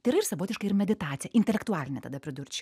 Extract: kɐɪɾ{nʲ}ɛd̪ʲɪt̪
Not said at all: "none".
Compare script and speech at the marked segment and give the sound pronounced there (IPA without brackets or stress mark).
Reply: mʲ